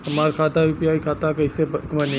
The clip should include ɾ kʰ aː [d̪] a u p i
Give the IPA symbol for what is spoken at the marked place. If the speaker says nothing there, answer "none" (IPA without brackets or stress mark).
t̪